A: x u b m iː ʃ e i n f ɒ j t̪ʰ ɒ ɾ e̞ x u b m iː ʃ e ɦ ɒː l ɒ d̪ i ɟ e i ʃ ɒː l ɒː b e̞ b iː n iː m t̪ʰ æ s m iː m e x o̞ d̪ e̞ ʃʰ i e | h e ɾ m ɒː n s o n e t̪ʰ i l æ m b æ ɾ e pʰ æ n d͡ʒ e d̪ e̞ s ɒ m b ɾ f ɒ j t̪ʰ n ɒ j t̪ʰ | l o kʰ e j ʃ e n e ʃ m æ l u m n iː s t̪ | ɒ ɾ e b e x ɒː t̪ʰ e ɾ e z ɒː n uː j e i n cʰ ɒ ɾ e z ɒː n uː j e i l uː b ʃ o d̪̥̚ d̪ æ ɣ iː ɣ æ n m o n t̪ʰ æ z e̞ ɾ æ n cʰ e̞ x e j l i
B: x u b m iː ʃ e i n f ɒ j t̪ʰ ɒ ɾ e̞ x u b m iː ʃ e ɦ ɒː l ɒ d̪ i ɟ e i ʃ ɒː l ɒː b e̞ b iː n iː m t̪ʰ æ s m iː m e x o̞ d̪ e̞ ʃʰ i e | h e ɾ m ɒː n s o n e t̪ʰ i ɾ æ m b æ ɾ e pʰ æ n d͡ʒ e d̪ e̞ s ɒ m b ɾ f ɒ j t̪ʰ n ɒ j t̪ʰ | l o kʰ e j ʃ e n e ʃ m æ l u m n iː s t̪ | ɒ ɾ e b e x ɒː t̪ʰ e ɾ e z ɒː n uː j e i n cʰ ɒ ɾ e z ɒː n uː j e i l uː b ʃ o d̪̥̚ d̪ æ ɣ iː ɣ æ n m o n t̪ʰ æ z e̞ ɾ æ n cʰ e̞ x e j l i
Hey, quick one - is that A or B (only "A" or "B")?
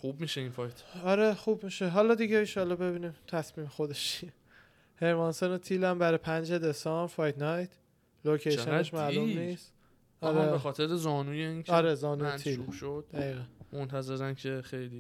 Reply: A